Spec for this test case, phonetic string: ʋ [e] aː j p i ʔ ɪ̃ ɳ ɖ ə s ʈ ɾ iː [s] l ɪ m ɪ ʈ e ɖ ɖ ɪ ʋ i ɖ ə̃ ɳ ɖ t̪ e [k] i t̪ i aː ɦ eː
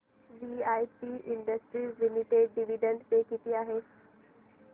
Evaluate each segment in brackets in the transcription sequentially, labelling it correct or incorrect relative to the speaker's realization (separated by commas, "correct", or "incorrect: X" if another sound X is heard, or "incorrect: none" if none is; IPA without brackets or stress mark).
incorrect: i, incorrect: z, correct